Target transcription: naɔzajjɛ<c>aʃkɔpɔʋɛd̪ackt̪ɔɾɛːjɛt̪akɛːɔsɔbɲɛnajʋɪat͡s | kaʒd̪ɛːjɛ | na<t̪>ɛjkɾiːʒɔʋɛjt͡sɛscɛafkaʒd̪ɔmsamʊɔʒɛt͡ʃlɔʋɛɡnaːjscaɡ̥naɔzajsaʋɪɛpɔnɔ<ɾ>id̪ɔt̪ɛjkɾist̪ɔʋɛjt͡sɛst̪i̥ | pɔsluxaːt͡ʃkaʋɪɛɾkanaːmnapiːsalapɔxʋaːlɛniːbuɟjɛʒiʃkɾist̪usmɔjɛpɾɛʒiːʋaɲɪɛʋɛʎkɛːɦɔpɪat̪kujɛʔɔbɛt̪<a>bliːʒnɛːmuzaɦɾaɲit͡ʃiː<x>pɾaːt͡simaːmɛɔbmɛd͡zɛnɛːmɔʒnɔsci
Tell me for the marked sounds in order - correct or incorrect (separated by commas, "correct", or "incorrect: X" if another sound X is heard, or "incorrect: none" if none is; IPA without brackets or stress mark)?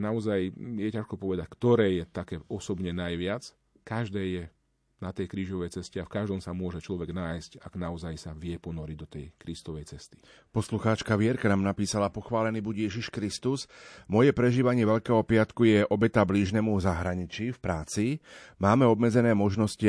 correct, correct, correct, correct, incorrect: f